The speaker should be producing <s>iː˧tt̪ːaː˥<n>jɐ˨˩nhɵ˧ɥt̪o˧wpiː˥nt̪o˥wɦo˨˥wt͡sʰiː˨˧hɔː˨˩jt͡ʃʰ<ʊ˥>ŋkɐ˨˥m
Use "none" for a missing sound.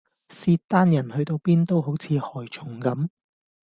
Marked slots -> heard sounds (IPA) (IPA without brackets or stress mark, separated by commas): s, n, ʊ˨˩